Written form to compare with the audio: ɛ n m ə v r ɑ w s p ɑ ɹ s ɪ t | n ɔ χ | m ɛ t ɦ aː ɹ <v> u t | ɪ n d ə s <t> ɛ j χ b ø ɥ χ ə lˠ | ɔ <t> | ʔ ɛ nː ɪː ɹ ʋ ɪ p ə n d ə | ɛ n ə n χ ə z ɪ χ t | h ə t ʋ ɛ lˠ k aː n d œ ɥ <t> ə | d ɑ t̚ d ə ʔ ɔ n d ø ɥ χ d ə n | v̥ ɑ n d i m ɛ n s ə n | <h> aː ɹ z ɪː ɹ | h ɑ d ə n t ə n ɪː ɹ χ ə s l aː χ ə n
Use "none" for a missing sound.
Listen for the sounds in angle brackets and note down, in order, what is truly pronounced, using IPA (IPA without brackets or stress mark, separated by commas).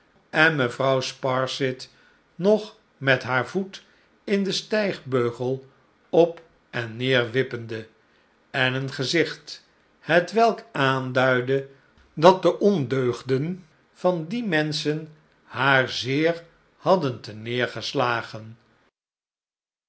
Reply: v, t, p, d, h